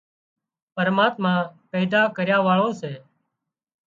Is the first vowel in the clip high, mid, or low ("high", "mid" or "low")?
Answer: mid